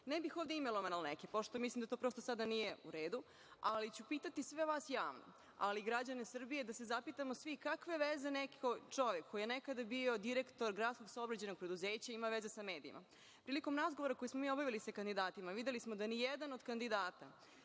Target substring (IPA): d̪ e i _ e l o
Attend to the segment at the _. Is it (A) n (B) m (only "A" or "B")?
B